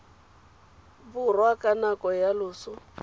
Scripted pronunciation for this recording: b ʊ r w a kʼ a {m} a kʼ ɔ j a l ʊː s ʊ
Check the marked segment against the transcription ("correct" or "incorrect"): incorrect